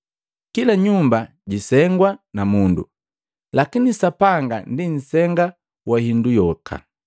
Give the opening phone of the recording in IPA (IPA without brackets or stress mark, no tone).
k